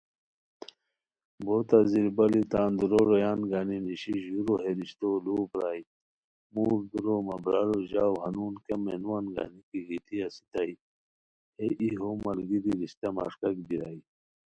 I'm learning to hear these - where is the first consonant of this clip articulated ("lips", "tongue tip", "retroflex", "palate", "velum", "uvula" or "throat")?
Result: lips